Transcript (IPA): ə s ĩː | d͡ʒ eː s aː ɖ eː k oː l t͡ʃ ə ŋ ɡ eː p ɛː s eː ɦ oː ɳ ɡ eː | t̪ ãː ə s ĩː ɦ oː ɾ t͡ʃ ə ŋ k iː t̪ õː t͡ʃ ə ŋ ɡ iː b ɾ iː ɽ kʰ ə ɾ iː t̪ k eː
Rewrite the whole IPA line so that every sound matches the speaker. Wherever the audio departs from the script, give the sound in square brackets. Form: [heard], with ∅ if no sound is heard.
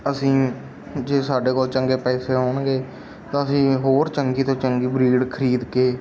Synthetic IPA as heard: ə s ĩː | d͡ʒ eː s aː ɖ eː k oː l t͡ʃ ə ŋ ɡ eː p ɛː s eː ɦ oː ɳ ɡ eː | t̪ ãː ə s ĩː ɦ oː ɾ t͡ʃ ə ŋ [ɡ] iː t̪ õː t͡ʃ ə ŋ ɡ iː b ɾ iː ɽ kʰ ə ɾ iː [d̪] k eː